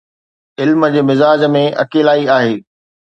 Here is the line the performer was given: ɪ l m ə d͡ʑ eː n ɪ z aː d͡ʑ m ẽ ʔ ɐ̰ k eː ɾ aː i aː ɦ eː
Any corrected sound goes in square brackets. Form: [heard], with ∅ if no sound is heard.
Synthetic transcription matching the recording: ɪ l m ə d͡ʑ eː [m] ɪ z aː d͡ʑ m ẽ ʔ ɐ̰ k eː [l] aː i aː ɦ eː